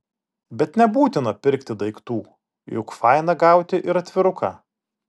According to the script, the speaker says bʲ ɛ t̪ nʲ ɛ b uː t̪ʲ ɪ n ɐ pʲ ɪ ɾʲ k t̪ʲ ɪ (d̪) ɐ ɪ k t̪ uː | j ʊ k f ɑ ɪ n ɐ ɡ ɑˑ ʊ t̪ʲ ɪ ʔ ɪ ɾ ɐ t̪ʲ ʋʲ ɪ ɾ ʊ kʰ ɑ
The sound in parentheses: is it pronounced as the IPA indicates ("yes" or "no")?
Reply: yes